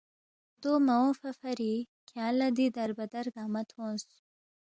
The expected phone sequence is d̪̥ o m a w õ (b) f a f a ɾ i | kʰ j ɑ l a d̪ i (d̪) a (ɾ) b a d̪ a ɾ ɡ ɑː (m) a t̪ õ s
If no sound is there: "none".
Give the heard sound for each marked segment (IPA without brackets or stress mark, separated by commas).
none, d̪, ɾ, m